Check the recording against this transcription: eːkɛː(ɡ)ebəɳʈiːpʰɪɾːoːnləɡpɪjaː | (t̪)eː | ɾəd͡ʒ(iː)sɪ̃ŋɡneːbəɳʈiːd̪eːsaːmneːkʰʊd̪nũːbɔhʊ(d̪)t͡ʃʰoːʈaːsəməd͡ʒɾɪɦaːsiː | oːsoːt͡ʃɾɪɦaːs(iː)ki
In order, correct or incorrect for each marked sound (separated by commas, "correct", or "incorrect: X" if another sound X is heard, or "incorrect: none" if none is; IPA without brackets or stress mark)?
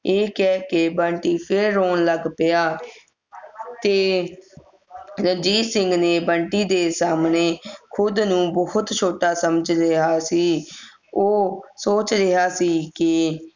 incorrect: k, correct, correct, incorrect: t̪, correct